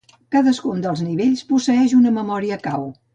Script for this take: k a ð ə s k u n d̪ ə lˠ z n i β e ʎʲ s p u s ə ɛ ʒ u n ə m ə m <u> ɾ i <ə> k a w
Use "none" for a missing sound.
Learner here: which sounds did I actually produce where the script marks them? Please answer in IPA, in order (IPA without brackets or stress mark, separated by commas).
ɔ, ə